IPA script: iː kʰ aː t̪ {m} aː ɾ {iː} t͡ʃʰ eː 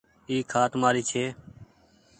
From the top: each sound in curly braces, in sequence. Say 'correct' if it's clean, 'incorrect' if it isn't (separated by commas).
correct, correct